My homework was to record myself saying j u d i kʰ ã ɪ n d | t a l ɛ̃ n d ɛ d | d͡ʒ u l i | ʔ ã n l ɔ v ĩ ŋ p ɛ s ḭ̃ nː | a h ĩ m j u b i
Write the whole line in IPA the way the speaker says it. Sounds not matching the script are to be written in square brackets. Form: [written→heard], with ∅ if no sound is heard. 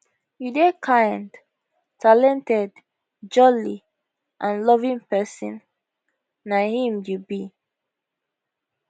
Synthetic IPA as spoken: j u d [i→e] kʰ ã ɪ n d | t a l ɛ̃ n [d→t] ɛ d | d͡ʒ [u→ɔ] l i | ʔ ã n l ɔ v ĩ ŋ p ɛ s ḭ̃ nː | a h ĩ m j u b i